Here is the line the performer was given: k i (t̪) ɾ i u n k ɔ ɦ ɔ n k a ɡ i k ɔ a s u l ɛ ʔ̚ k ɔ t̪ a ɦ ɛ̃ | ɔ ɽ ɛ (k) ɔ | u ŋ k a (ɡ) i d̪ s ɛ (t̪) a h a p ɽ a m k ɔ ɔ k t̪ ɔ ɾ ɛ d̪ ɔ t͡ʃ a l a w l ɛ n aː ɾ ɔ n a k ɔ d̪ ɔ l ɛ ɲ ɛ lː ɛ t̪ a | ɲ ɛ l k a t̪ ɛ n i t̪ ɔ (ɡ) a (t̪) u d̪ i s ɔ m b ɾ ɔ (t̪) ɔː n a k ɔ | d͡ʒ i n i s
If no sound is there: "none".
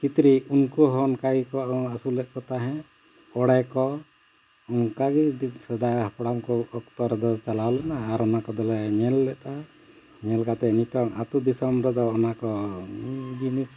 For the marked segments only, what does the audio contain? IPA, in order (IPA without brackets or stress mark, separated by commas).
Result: t̪, k, ɡ, d̪, ŋ, t̪, d̪